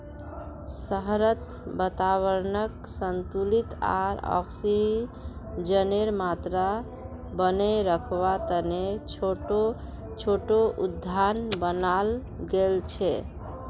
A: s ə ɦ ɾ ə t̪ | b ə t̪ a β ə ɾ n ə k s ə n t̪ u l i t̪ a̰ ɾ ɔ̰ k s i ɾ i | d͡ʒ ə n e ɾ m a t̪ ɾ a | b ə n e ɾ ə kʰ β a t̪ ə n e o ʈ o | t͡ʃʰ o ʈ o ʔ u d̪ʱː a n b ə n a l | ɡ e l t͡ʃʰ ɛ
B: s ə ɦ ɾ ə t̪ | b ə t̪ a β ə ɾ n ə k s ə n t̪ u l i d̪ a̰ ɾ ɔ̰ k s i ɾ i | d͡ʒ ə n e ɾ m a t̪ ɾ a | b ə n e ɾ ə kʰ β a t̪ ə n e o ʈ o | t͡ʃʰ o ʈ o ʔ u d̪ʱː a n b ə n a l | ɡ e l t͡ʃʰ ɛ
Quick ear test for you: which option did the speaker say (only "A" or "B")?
A